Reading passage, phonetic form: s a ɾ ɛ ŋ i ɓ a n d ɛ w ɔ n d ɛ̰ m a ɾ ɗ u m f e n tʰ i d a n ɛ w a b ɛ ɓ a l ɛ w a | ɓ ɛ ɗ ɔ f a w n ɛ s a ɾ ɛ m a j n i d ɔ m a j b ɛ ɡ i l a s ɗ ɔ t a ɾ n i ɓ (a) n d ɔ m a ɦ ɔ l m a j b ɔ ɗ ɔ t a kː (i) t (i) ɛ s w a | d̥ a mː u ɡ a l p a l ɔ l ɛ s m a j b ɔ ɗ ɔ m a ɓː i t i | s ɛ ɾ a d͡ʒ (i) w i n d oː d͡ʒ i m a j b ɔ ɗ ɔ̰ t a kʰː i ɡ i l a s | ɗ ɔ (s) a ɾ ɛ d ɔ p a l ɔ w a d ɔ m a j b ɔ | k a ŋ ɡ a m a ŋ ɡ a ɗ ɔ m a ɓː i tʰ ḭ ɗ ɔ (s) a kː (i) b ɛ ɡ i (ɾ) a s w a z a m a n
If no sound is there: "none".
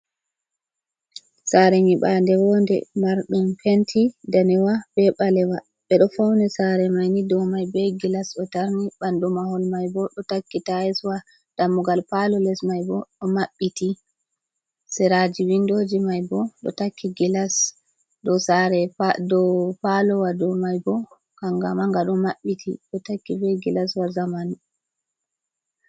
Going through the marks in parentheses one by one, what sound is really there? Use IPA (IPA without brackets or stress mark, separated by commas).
a, i, a, i, s, t, i, l